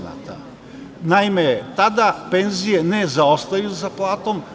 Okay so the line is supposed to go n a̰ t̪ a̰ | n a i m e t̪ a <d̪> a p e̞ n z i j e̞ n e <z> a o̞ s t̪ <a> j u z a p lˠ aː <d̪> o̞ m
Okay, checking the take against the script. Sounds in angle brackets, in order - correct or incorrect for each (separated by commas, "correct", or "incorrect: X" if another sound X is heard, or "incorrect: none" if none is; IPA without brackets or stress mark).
correct, correct, correct, incorrect: t̪